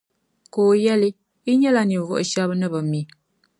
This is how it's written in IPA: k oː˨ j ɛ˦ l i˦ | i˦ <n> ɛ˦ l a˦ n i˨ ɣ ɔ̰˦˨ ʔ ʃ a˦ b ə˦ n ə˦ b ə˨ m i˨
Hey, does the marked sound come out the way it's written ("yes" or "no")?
no